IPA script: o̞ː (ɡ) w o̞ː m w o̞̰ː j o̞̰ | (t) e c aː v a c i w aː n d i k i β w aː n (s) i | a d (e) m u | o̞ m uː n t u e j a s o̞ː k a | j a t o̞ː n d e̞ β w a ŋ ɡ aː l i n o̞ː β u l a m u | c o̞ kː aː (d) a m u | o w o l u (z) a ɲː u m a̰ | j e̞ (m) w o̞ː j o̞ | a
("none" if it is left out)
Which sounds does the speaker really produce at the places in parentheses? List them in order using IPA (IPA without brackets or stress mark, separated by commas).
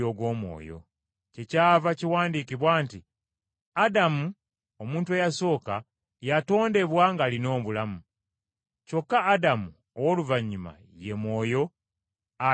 ɡ, c, t, a, d, v, m